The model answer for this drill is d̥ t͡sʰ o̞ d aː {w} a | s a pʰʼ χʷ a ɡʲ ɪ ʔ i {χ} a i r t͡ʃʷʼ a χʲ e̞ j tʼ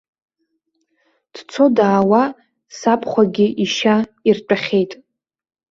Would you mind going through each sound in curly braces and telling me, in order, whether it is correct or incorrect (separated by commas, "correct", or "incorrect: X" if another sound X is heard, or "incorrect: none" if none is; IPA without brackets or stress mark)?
correct, incorrect: ʃ